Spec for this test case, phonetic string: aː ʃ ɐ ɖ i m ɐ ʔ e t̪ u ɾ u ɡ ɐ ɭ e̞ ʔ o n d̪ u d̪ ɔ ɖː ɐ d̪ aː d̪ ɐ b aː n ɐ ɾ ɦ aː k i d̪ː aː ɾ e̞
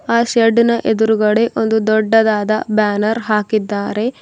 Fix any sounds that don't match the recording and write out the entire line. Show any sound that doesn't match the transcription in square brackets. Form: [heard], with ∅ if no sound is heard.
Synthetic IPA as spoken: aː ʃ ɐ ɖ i [n] ɐ ʔ e [d̪] u ɾ u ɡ ɐ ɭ e̞ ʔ o n d̪ u d̪ ɔ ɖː ɐ d̪ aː d̪ ɐ b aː n ɐ ɾ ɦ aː k i d̪ː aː ɾ e̞